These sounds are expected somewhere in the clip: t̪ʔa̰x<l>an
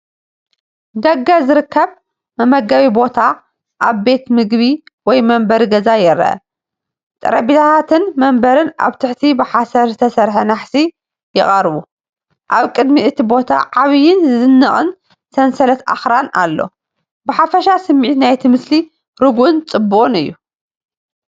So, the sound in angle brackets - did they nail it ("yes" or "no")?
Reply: no